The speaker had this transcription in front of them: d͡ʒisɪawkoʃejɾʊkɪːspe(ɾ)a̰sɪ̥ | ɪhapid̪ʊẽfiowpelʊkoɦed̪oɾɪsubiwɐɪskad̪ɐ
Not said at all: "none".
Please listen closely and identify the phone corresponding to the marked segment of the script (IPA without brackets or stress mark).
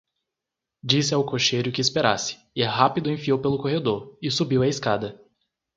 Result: ɾ